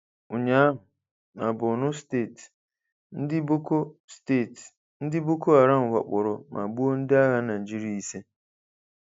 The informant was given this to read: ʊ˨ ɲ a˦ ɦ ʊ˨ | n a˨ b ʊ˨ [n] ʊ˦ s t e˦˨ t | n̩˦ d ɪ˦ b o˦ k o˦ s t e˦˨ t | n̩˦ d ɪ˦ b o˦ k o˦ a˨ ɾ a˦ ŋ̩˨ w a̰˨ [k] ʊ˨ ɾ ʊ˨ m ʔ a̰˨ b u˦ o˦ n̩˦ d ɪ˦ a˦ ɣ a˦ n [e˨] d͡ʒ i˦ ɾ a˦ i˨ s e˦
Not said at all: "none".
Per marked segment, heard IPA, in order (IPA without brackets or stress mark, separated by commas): n, k͡p, a˨